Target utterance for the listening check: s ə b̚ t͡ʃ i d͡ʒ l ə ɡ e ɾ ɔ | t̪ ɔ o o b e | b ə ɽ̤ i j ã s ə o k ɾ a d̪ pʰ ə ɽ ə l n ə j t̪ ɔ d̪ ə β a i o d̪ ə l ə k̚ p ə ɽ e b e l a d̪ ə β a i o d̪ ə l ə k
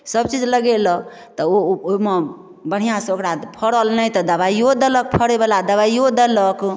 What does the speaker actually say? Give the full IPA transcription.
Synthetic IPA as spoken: s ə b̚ t͡ʃ i d͡ʒ l ə ɡ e l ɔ | t̪ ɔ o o m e | b ə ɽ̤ i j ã s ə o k ɾ a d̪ pʰ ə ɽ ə l n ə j t̪ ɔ d̪ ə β a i o d̪ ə l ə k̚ pʰ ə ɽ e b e l a d̪ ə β a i o d̪ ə l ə k